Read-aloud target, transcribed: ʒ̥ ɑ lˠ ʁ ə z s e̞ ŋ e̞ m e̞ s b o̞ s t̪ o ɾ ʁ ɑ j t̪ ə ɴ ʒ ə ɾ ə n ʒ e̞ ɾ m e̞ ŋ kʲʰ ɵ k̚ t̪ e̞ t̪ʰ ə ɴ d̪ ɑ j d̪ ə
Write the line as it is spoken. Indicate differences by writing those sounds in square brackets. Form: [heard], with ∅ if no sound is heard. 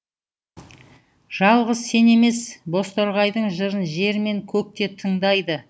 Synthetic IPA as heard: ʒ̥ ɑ lˠ ʁ ə z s e̞ [n] e̞ m e̞ s b o̞ s t̪ o ɾ ʁ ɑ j [d̪] ə ɴ ʒ ə ɾ ə n ʒ e̞ ɾ m e̞ ŋ kʲʰ ɵ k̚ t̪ e̞ t̪ʰ ə ɴ d̪ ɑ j d̪ ə